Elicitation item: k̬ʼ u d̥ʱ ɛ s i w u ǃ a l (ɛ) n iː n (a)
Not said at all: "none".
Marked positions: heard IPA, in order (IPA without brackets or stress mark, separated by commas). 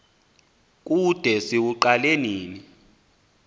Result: e, i